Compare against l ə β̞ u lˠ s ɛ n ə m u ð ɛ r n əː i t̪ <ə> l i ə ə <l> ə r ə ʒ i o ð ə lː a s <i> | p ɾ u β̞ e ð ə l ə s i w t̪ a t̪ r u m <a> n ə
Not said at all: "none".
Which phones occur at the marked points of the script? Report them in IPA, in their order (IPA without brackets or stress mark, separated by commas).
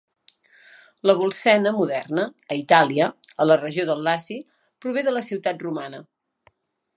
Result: a, l, i, a